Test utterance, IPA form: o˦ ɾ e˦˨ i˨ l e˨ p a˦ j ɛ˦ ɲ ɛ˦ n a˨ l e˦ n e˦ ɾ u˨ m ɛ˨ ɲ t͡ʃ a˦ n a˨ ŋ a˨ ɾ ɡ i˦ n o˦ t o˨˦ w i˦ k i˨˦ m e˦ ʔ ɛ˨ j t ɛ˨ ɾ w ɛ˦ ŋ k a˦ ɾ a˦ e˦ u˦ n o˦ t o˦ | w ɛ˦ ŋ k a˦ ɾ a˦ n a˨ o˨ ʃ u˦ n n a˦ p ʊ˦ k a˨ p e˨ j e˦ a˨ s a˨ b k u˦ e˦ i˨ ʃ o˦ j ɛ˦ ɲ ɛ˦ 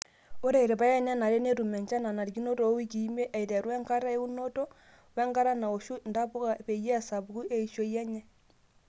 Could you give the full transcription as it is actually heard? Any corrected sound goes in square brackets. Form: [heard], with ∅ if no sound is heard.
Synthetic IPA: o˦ ɾ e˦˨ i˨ [ɾ] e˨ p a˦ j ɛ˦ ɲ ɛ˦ n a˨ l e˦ n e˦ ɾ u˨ m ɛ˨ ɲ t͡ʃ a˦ n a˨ [n] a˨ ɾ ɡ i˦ n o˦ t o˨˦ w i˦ k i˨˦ m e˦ ʔ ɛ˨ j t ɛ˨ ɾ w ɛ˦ ŋ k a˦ ɾ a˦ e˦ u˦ n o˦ t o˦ | w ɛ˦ ŋ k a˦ ɾ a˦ n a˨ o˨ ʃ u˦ n [d] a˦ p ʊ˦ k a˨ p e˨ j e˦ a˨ s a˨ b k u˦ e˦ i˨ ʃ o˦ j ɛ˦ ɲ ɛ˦